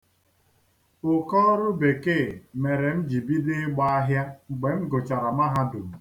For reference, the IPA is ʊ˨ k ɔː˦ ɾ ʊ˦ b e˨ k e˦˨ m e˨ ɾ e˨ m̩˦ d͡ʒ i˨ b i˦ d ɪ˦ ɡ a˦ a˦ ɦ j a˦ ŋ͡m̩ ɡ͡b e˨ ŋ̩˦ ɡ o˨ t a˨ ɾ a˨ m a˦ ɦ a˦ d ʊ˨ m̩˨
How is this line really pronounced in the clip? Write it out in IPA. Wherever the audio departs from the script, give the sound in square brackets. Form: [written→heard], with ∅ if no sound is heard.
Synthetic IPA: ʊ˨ k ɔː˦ ɾ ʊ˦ b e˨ k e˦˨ m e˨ ɾ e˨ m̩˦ d͡ʒ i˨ b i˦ d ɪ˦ [ɡ→ɡ͡b] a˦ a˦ ɦ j a˦ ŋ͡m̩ ɡ͡b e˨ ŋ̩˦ ɡ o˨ [t→t͡ʃ] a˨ ɾ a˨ m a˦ ɦ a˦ d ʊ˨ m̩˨

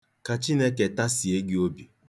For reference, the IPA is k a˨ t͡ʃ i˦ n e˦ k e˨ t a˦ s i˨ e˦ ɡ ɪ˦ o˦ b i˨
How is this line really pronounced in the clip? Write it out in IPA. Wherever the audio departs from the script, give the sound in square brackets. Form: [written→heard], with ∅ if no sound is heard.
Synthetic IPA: k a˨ t͡ʃ i˦ n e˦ k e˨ t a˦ s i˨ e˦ ɡ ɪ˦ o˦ b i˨

